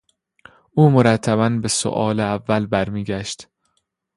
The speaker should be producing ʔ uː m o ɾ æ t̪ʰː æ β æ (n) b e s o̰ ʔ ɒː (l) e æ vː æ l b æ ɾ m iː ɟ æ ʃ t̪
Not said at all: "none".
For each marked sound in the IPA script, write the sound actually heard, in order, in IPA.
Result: n, l

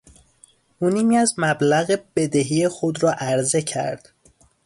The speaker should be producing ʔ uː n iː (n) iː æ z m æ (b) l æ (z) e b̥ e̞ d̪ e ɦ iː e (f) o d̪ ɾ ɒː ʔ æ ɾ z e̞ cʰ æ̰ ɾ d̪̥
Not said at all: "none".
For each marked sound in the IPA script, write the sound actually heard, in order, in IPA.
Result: m, b, ɣ, x

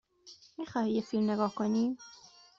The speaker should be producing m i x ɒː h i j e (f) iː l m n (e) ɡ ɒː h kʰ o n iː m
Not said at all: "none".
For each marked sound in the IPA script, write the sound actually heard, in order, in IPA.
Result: f, e

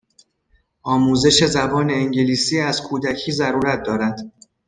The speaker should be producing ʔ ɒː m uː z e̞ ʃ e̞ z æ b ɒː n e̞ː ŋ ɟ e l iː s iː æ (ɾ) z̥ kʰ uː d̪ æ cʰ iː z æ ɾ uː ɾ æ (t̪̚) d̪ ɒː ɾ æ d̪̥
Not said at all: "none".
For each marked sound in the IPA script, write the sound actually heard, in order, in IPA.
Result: none, t̪̚

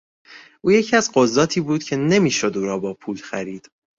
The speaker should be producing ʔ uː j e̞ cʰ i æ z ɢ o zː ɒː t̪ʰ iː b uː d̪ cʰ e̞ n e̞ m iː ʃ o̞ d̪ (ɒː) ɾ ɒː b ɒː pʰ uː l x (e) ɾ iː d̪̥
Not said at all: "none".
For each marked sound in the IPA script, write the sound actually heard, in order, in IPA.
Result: uː, æ

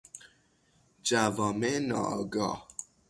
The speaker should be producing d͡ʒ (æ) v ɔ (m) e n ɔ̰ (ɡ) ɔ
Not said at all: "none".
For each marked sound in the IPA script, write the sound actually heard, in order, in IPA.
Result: a, m, ɡ

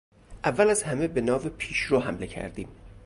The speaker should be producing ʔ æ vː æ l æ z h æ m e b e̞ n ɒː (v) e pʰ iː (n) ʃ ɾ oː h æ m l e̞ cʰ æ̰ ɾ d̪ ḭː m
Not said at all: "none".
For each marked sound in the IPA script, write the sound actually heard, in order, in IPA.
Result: v, none

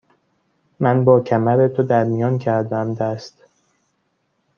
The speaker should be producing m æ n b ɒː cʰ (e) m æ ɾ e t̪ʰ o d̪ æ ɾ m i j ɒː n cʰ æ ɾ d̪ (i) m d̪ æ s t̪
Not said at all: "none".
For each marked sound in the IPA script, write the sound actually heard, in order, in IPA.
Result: æ, æ

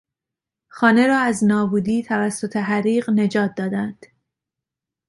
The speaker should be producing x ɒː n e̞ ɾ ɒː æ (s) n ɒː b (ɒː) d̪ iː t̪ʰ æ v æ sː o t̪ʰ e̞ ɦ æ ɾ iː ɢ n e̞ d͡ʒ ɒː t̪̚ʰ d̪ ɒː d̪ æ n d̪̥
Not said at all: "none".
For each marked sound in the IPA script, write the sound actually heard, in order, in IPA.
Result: z, uː

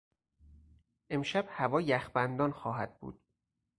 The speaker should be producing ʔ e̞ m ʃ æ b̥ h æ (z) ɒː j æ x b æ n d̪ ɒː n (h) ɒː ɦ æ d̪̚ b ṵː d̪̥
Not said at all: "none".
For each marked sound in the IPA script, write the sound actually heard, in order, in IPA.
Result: v, x

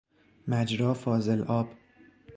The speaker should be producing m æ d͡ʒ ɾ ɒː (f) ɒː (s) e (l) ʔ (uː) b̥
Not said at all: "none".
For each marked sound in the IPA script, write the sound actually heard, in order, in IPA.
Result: f, z, l, ɒː

